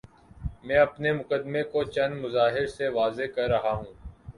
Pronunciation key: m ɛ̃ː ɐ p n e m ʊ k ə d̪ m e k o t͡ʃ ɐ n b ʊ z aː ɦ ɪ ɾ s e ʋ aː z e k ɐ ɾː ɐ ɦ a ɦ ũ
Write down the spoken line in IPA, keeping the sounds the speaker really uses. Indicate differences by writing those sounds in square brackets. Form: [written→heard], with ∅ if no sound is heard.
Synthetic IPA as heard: m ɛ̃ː ɐ p n e m ʊ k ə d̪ m e k o t͡ʃ ɐ n [b→m] ʊ z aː ɦ ɪ ɾ s e ʋ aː z e k ɐ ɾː ɐ ɦ a ɦ [ũ→ũː]